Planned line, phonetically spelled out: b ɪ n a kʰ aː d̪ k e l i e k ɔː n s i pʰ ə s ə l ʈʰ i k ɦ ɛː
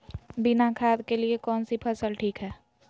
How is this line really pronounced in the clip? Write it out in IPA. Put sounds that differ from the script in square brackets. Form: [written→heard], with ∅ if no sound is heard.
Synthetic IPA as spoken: b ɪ n a kʰ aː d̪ k e l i e k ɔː n s i pʰ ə s ə l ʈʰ [i→iː] k ɦ ɛː